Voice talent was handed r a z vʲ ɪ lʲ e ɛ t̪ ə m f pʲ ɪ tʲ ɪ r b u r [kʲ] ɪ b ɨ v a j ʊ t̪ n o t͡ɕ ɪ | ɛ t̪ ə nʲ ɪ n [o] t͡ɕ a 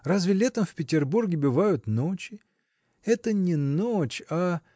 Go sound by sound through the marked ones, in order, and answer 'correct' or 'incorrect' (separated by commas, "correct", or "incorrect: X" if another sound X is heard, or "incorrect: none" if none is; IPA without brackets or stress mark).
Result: incorrect: ɡʲ, correct